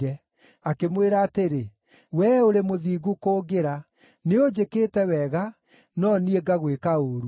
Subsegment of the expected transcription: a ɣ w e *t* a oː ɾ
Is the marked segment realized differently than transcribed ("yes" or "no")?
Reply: yes